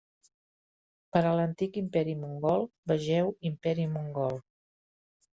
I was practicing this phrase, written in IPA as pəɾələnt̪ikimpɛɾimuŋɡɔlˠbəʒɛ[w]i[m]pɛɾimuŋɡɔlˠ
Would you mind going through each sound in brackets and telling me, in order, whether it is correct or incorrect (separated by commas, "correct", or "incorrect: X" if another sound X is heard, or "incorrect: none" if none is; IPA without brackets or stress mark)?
correct, correct